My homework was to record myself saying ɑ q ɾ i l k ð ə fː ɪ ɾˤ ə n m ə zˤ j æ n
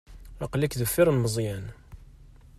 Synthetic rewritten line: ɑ q l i k ð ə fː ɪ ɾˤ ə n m ə zˤ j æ n